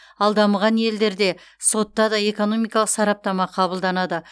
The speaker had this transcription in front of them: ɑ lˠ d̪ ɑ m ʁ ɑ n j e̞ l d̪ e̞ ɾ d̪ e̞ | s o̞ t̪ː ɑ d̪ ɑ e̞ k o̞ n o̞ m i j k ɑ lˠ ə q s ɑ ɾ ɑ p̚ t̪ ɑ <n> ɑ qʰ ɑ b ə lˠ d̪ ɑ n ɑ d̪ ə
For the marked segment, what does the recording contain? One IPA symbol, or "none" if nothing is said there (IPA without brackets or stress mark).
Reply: m